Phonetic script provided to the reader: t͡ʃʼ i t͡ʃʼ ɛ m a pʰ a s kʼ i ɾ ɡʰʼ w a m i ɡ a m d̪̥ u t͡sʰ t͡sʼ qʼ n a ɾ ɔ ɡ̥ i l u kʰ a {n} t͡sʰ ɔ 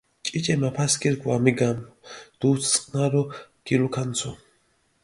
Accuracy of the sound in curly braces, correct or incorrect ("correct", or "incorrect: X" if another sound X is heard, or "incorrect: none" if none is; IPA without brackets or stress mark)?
correct